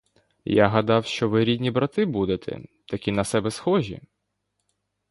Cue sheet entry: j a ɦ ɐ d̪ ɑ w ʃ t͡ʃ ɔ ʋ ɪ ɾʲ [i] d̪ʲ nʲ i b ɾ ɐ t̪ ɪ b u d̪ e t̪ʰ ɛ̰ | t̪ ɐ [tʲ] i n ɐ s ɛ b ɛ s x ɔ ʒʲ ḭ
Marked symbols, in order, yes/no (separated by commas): yes, no